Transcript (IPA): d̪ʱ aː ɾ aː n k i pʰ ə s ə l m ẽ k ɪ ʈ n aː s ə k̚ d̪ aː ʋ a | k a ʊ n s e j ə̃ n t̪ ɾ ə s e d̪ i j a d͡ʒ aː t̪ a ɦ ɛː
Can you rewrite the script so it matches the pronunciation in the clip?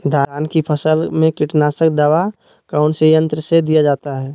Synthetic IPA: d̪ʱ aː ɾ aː n k i pʰ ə s ə l m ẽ k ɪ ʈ n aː s ə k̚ d̪ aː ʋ a | k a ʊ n s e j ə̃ n t̪ ɾ ə s e d̪ i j a d͡ʒ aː t̪ a ɦ ɛː